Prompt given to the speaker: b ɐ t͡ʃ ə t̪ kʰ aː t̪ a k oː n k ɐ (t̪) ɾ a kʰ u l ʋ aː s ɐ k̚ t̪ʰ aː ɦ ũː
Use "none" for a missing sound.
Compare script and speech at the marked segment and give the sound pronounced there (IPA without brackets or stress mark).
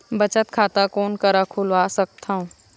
none